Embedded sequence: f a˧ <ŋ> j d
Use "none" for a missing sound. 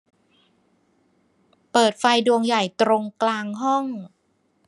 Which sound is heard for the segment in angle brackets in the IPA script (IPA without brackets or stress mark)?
none